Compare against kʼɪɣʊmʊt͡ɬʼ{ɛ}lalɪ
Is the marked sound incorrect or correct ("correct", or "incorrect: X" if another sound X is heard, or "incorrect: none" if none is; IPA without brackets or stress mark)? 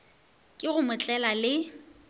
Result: correct